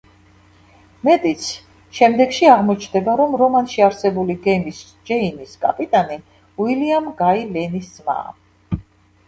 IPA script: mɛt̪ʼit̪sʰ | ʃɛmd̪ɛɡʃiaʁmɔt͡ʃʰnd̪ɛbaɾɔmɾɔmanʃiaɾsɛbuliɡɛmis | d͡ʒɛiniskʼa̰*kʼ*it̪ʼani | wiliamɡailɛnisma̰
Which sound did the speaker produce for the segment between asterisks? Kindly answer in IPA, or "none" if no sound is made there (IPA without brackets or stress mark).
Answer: pʼ